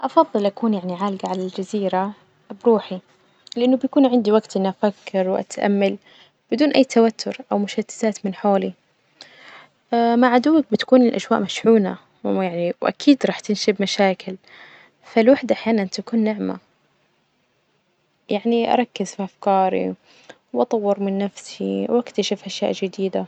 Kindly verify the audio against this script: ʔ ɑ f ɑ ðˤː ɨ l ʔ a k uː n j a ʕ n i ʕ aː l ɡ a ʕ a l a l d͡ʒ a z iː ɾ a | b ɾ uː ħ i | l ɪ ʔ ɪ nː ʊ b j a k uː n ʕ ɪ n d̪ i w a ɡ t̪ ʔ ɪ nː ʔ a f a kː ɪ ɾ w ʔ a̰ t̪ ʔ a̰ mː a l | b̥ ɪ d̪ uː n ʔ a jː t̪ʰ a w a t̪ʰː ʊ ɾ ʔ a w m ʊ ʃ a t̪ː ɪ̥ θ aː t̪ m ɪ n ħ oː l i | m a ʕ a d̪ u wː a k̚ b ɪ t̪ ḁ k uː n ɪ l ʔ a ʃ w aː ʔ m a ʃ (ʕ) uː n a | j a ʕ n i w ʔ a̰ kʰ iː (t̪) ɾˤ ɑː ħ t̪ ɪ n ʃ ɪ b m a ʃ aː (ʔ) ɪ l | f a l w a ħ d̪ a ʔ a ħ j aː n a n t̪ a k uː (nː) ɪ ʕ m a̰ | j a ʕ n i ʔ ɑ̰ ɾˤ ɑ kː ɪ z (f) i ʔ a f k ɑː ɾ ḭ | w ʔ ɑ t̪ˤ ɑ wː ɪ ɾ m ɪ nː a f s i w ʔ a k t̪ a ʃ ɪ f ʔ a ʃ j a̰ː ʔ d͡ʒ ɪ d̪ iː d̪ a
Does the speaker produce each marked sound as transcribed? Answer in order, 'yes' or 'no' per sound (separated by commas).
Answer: yes, no, no, yes, yes